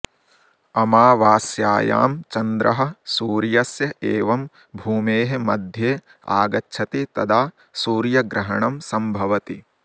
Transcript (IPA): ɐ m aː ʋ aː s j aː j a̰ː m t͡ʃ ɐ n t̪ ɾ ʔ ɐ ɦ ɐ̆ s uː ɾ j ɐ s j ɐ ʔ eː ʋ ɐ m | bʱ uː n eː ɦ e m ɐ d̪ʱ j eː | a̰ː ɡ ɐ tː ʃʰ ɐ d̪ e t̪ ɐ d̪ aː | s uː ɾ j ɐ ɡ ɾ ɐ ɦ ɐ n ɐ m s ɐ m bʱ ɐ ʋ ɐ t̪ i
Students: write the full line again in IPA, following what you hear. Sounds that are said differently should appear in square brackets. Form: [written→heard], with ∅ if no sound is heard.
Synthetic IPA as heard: ɐ m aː ʋ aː s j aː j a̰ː m t͡ʃ ɐ n [t̪→d̪] ɾ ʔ ɐ ɦ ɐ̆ s uː ɾ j ɐ s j ɐ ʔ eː ʋ ɐ m | bʱ uː [n→m] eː ɦ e m ɐ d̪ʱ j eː | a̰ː ɡ ɐ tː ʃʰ ɐ [d̪→t̪] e t̪ ɐ d̪ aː | s uː ɾ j ɐ ɡ ɾ ɐ ɦ ɐ [n→ɳ] ɐ m s ɐ m bʱ ɐ ʋ ɐ t̪ i